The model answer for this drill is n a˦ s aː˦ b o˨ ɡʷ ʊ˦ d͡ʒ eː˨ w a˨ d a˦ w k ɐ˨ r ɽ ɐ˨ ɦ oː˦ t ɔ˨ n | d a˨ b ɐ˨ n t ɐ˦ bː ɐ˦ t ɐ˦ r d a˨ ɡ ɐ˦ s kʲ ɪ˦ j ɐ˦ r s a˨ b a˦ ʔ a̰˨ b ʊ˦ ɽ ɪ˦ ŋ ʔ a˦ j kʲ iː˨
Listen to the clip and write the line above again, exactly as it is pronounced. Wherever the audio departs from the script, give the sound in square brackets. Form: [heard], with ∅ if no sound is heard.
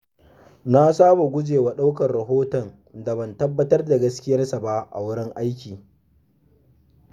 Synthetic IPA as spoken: n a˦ s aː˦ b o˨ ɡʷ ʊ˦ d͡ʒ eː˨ w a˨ [ɗ] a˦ w k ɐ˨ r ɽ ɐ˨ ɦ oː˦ t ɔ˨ n | d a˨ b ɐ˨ n t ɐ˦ bː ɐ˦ t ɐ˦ r d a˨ ɡ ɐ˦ s kʲ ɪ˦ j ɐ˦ r s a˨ b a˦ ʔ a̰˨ [w] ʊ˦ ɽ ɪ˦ ŋ ʔ a˦ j kʲ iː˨